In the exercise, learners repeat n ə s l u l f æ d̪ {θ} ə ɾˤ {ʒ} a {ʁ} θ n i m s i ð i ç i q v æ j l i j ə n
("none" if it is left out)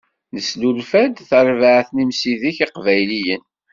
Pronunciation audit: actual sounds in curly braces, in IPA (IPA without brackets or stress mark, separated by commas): θ, v, ʕ